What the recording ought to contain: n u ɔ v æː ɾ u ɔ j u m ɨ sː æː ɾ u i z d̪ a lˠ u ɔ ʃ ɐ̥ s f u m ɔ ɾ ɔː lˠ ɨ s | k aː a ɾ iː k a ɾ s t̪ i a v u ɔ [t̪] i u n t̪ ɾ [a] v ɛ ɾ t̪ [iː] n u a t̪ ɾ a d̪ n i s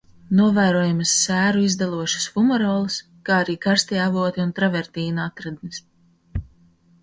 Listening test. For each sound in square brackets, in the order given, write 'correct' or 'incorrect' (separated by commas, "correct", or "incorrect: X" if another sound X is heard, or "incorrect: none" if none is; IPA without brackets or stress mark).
correct, correct, correct